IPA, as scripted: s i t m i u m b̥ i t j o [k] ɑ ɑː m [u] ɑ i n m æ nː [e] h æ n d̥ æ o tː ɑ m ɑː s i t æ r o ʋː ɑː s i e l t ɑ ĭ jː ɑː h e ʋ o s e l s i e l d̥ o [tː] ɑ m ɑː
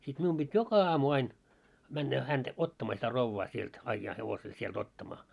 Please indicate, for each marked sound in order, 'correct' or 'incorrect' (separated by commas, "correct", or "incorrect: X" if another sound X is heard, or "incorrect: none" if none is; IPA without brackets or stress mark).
correct, correct, incorrect: æ, correct